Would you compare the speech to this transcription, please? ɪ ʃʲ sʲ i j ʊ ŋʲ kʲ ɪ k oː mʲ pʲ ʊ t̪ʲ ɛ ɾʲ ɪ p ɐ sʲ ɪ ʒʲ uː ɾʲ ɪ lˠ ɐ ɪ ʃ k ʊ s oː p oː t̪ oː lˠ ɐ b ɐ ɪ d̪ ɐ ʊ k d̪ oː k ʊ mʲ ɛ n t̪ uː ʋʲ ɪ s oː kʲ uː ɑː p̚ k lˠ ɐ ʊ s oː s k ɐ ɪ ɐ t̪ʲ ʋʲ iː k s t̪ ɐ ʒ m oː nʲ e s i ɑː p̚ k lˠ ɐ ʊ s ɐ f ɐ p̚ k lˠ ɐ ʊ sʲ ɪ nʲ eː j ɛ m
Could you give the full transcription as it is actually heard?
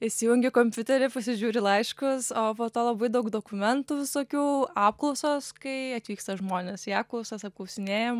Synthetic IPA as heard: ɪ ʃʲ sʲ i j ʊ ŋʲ ɡʲ ɪ k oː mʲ pʲ ʊ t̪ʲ ɛ ɾʲ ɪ p ɐ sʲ ɪ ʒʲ uː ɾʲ ɪ lˠ ɐ ɪ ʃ k ʊ s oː p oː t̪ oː lˠ ɐ b ɐ ɪ d̪ ɐ ʊ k d̪ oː k ʊ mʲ ɛ n t̪ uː ʋʲ ɪ s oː kʲ uː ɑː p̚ k lˠ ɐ ʊ s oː s k ɐ ɪ ɐ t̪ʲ ʋʲ iː k s t̪ ɐ ʒ m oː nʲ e s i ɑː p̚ k lˠ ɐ ʊ s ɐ s ɐ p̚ k lˠ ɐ ʊ sʲ ɪ nʲ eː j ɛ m

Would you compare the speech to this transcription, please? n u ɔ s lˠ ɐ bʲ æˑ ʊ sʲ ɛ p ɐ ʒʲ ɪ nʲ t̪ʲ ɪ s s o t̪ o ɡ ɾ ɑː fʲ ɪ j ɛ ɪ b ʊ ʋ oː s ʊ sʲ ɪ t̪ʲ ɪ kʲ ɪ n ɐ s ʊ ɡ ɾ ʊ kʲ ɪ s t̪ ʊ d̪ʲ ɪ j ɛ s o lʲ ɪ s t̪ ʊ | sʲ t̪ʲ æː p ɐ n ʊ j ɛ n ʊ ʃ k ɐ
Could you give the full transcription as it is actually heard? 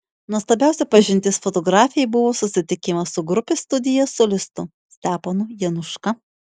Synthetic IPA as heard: n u ɔ s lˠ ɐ bʲ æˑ ʊ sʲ ɛ p ɐ ʒʲ ɪ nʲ t̪ʲ ɪ s f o t̪ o ɡ ɾ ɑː fʲ ɪ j ɛ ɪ b ʊ ʋ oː s ʊ sʲ ɪ t̪ʲ ɪ kʲ ɪ m ɐ s ʊ ɡ ɾ ʊ pʲ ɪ s t̪ ʊ d̪ʲ ɪ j ɛ s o lʲ ɪ s t̪ ʊ | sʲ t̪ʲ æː p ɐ n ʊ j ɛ n ʊ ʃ k ɐ

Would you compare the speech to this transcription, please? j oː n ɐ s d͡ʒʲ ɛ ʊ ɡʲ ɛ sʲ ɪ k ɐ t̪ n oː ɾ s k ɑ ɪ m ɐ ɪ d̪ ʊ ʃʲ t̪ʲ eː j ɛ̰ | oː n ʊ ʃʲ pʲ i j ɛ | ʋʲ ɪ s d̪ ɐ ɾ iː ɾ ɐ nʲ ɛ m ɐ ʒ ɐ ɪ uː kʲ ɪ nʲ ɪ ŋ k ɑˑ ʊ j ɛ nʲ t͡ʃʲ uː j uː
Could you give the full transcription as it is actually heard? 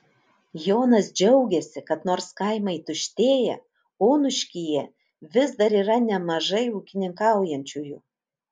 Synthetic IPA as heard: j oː n ɐ s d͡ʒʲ ɛ ʊ ɡʲ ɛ sʲ ɪ k ɐ t̪ n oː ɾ s k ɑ ɪ m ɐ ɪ t̪ ʊ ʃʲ t̪ʲ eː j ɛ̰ | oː n ʊ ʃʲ kʲ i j ɛ | ʋʲ ɪ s d̪ ɐ ɾ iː ɾ ɐ nʲ ɛ m ɐ ʒ ɐ ɪ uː kʲ ɪ nʲ ɪ ŋ k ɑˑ ʊ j ɛ nʲ t͡ʃʲ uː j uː

